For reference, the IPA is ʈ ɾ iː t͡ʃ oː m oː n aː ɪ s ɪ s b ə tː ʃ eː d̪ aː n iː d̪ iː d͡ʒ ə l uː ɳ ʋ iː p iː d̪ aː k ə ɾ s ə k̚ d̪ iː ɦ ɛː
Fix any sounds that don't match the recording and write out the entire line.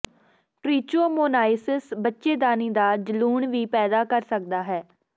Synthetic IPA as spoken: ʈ ɾ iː t͡ʃ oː m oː n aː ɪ s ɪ s b ə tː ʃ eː d̪ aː n iː d̪ aː d͡ʒ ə l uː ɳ ʋ iː p ɛː d̪ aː k ə ɾ s ə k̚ d̪ aː ɦ ɛː